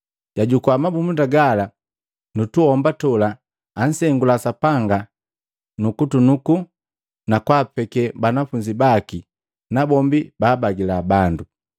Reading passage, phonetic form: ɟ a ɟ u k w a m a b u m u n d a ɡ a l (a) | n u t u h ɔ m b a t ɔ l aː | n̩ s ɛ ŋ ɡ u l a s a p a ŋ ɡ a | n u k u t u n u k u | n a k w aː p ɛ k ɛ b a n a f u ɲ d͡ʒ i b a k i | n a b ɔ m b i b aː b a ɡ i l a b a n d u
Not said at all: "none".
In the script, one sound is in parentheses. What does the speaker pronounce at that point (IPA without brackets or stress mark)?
a